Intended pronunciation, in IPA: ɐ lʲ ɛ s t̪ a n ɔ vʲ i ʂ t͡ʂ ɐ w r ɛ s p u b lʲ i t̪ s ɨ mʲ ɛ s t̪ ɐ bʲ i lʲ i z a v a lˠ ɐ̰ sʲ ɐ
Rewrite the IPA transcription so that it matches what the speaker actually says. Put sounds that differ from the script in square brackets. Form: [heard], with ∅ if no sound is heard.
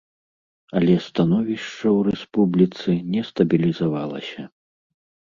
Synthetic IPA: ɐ lʲ ɛ s t̪ a n ɔ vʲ i ʂ t͡ʂ ɐ w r ɛ s p u b lʲ i t̪ s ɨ [nʲ] ɛ s t̪ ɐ bʲ i lʲ i z a v a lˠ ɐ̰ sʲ ɐ